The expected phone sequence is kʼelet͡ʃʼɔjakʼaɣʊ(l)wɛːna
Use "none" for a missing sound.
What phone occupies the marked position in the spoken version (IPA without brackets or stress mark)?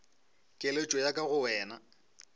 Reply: none